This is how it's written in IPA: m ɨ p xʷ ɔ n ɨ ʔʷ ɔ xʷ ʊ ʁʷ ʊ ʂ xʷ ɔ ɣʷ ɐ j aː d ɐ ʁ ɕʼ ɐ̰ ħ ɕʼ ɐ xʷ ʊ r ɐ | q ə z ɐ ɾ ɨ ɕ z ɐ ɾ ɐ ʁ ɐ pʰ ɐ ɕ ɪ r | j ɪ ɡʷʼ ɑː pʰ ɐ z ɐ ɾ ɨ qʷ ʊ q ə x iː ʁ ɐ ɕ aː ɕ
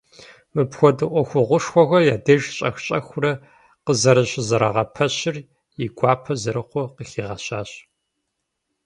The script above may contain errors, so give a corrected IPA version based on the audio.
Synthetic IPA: m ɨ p xʷ ɔ d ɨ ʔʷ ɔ xʷ ʊ ʁʷ ʊ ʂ xʷ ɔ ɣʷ ɐ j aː d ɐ ʒ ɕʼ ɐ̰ x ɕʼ ɐ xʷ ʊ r ɐ | q ə z ɐ ɾ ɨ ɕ z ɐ ɾ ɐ ʁ ɐ pʰ ɐ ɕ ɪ r | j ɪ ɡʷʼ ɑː pʰ ɐ z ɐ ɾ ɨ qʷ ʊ q ə x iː ʁ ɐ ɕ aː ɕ